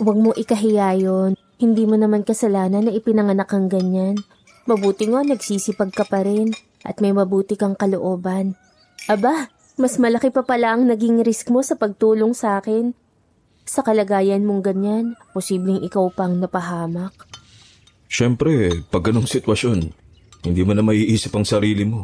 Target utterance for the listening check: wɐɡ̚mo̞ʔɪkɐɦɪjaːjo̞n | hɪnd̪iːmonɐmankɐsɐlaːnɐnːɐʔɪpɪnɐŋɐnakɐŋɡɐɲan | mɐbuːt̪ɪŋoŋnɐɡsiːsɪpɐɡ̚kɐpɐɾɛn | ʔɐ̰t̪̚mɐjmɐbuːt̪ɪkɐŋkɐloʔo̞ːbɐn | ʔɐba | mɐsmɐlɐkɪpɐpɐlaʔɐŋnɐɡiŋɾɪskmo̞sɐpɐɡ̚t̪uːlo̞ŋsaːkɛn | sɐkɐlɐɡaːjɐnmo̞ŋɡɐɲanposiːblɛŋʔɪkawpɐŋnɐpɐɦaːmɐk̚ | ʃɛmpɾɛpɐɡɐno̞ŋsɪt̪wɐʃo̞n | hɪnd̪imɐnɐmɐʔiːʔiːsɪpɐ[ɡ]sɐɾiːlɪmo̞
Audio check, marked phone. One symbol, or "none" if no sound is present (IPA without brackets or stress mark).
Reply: ŋ